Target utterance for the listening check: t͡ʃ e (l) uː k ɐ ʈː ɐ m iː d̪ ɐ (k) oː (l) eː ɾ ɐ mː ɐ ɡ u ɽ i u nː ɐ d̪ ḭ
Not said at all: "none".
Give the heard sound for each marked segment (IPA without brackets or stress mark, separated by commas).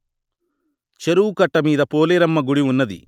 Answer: ɾ, p, l